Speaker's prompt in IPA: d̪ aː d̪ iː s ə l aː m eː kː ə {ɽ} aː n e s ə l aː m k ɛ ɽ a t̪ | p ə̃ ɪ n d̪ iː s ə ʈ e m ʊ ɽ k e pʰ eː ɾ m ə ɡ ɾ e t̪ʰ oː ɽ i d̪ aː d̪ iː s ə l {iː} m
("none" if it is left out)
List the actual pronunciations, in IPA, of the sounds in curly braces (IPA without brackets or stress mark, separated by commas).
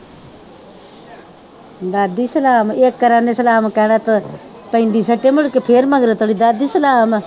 ɾ, aː